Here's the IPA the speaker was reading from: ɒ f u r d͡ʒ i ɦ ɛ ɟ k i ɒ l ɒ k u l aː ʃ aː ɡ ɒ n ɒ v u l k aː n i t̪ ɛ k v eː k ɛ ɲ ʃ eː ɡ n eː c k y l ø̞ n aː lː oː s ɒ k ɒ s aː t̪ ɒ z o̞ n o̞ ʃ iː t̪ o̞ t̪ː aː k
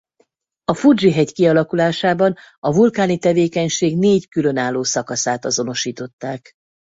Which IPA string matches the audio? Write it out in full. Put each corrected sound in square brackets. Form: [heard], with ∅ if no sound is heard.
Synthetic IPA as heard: ɒ f u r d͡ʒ i ɦ ɛ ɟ k i ɒ l ɒ k u l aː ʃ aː [b] ɒ n ɒ v u l k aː n i t̪ ɛ [∅] v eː k ɛ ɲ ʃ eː ɡ n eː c k y l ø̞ n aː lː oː s ɒ k ɒ s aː t̪ ɒ z o̞ n o̞ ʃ iː t̪ o̞ t̪ː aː k